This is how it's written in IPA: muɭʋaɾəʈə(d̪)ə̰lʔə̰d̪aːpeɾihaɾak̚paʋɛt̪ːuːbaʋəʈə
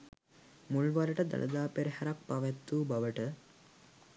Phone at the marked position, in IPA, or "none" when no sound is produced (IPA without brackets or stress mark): d̪